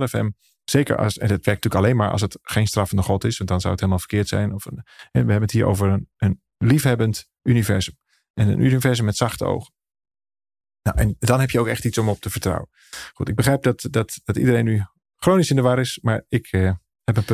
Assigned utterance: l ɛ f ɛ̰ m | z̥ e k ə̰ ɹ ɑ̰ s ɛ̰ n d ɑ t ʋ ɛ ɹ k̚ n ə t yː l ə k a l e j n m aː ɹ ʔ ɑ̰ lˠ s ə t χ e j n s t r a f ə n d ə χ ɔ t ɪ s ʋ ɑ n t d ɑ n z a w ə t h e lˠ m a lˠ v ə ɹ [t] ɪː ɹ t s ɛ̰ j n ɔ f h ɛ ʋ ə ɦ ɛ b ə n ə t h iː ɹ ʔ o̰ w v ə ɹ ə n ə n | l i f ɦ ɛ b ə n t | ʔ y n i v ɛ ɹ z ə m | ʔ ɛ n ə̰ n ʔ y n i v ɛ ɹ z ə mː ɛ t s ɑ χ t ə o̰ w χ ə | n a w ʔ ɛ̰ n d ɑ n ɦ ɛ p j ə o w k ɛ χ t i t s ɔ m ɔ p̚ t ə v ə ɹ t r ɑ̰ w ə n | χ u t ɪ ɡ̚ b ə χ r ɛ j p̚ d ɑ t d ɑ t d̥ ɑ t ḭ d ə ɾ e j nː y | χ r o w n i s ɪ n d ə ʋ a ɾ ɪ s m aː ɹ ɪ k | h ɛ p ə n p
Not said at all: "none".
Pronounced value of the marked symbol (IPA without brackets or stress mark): k